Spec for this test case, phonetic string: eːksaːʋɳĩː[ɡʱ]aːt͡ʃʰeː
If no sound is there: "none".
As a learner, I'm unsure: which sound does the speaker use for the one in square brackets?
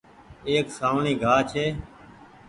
ɡʱ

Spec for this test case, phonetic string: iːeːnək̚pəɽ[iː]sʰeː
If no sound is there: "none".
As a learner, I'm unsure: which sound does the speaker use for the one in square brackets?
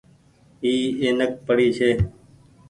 iː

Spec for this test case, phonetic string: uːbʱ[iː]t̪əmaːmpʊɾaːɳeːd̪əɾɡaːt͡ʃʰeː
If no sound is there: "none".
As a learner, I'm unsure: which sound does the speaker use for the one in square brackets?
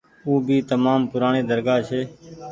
iː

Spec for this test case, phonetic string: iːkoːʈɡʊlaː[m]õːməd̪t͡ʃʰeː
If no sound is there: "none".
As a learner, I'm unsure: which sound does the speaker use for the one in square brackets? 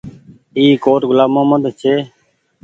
m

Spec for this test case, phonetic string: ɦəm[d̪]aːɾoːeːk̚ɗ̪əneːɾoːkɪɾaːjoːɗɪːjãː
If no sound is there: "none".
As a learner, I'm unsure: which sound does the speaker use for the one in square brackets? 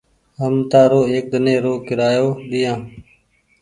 t̪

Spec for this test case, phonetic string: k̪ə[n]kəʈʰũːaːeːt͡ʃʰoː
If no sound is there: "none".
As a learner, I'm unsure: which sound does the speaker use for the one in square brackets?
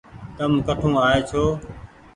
m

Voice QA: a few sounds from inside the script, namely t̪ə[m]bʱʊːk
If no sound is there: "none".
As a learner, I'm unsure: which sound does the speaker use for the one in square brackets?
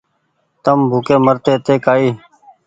m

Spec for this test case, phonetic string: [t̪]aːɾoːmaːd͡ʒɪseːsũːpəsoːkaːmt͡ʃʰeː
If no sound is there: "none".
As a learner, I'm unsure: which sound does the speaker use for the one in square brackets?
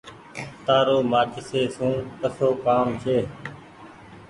t̪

